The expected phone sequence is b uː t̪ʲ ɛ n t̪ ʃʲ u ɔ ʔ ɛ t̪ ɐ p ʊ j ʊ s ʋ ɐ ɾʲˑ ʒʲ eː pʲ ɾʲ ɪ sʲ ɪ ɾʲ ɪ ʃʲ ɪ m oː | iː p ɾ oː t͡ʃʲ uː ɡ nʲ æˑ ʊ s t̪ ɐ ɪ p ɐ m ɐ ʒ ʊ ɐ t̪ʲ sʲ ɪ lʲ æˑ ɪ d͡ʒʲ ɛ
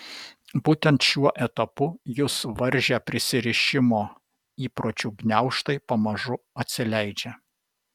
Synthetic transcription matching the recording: b uː t̪ʲ ɛ n t̪ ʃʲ u ɔ ʔ ɛ t̪ ɐ p ʊ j ʊ s ʋ ɐ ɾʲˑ ʒʲ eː pʲ ɾʲ ɪ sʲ ɪ ɾʲ ɪ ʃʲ ɪ m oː | iː p ɾ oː t͡ʃʲ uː ɡ nʲ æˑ ʊ ʃ t̪ ɐ ɪ p ɐ m ɐ ʒ ʊ ɐ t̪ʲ sʲ ɪ lʲ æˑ ɪ d͡ʒʲ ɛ